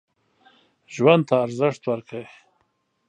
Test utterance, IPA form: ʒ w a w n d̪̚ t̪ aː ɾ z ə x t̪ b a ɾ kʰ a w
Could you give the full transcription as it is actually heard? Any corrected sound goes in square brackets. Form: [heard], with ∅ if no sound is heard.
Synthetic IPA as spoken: ʒ w a [∅] n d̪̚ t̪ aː ɾ z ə [ʂ] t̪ [w] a ɾ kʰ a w